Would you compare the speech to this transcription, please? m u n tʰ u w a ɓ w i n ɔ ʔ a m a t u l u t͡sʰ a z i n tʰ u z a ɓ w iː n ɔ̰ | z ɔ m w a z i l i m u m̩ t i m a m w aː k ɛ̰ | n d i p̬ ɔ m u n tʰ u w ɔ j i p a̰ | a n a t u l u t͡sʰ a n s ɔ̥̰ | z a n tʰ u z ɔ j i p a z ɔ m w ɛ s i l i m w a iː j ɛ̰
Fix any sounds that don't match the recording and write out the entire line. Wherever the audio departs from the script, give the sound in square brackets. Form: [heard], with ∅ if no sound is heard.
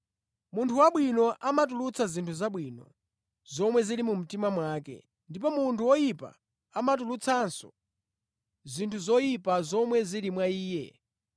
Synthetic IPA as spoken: m u n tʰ u w a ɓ w i n ɔ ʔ a m a t u l u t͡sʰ a z i n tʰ u z a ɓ w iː n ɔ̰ | z ɔ m w [ɛ] z i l i m u m̩ t i m a m w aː k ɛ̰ | n d i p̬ ɔ m u n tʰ u w ɔ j i p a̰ | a [m] a t u l u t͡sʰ a n s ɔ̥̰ | z [i] n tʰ u z ɔ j i p a z ɔ m w ɛ [z] i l i m w a iː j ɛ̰

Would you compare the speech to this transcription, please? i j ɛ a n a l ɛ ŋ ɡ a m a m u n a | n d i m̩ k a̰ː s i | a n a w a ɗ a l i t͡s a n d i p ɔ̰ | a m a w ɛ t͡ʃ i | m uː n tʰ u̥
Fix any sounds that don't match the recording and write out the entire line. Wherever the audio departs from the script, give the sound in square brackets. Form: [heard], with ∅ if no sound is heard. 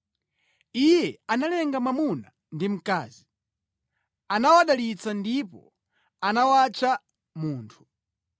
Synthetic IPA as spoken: i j ɛ a n a l ɛ ŋ ɡ a m a m u n a | n d i m̩ k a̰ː [z] i | a n a w a ɗ a l i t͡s a n d i p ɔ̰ | a [n] a w [a] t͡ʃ [a] | m uː n tʰ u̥

